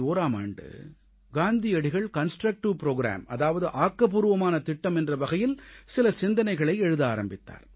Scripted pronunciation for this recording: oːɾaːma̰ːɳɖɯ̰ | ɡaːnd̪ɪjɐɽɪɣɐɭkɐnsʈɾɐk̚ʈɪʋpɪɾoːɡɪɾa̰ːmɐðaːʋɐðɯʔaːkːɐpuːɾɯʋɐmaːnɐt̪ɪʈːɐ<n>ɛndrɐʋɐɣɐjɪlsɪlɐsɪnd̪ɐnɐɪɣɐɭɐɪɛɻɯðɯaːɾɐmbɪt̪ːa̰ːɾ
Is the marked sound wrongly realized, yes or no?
yes